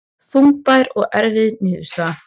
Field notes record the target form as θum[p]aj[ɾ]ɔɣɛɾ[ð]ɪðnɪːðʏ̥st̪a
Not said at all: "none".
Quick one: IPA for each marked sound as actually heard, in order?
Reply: p, ɾ, v

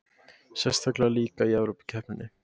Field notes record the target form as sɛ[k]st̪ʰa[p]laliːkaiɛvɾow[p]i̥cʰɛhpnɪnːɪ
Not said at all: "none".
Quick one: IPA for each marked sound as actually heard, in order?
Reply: none, k, p

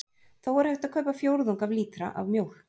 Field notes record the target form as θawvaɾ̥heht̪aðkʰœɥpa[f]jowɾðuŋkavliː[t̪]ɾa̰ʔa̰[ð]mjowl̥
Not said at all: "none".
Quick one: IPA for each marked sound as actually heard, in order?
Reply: f, t̪, v

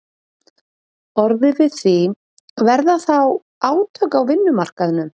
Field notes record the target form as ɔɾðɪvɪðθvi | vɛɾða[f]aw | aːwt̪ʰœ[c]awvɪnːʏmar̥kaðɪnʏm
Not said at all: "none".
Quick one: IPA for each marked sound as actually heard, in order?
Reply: θ, k

